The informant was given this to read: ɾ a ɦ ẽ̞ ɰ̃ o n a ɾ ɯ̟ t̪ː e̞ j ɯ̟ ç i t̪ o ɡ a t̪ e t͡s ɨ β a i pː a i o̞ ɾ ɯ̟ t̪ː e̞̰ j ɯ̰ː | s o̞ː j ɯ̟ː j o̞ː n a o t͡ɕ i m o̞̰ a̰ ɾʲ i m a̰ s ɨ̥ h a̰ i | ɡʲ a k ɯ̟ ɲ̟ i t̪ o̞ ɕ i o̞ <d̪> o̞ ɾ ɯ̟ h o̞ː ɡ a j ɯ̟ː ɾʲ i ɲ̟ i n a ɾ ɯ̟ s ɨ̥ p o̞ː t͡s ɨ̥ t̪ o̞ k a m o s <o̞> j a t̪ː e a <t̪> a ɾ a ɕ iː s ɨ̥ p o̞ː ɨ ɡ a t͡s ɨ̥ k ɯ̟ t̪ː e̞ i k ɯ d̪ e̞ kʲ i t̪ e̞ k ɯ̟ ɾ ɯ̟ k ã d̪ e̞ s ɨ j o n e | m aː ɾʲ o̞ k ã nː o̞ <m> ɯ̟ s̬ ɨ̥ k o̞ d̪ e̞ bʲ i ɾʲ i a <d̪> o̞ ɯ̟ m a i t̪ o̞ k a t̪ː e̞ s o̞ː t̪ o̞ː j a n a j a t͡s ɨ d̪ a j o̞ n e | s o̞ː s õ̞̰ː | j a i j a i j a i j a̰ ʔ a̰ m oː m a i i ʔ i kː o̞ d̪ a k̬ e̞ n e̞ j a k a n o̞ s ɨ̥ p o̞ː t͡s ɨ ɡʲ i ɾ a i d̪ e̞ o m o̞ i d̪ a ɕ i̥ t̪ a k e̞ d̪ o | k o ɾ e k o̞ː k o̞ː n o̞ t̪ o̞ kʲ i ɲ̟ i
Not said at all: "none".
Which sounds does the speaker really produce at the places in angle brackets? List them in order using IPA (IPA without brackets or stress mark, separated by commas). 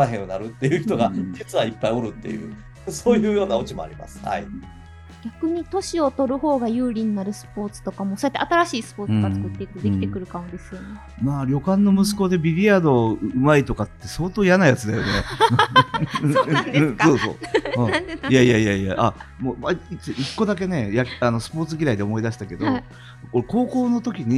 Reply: t̪, o̞, t̪, m, d̪